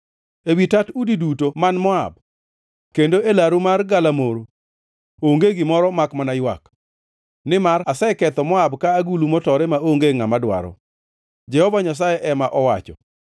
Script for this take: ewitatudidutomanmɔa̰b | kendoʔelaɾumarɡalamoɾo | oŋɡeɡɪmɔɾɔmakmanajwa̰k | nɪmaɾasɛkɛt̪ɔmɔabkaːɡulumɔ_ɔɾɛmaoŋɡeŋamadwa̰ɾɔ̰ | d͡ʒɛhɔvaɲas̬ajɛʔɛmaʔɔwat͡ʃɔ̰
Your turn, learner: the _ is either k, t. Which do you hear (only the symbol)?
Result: t